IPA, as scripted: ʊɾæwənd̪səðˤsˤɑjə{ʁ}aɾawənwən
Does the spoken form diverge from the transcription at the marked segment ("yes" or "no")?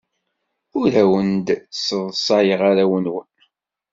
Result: no